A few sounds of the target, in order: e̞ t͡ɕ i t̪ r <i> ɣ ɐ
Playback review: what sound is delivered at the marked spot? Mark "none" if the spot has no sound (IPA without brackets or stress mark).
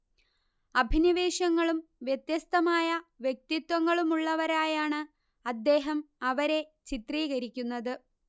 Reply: iː